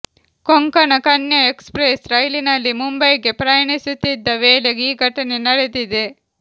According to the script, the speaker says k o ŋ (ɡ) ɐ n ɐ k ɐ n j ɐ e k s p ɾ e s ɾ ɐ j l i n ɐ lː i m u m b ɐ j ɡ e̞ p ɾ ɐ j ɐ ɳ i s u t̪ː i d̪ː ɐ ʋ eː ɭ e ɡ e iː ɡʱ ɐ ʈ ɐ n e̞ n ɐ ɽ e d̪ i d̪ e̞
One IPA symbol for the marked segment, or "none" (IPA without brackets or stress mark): k